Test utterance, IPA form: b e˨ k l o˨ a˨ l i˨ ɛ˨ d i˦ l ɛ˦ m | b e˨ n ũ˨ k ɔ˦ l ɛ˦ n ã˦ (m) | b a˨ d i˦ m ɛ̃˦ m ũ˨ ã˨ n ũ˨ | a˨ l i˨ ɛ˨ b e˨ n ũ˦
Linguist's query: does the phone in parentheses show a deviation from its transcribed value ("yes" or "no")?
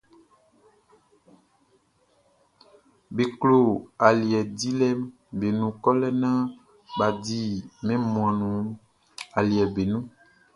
yes